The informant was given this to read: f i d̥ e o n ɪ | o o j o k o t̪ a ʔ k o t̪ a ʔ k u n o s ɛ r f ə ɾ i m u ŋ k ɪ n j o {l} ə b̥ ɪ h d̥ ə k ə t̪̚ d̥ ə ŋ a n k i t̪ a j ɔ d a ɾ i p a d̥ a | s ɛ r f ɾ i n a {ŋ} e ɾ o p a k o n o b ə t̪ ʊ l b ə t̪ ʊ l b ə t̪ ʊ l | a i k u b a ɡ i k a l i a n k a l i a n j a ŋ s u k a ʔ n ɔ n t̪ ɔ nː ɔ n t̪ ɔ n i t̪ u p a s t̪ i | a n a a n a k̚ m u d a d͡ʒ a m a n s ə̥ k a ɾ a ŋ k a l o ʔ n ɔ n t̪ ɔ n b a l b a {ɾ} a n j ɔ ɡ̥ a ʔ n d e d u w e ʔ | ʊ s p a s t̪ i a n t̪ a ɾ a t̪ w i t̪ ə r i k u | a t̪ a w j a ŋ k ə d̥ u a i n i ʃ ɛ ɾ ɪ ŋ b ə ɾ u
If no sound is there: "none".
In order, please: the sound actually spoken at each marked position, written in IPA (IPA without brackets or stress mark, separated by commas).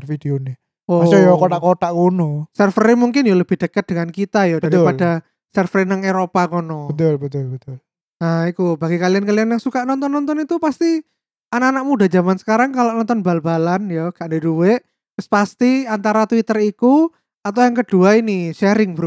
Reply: l, ŋ, l